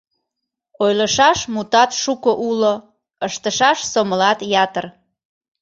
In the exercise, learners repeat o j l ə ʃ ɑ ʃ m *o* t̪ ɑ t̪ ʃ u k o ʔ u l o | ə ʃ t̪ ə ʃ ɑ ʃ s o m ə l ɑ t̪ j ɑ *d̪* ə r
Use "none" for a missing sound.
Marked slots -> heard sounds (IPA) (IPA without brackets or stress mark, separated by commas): u, t̪